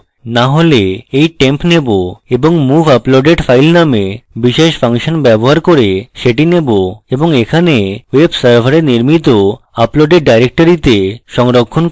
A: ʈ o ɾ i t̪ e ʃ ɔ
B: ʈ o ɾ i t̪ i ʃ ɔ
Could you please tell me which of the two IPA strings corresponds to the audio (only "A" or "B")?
A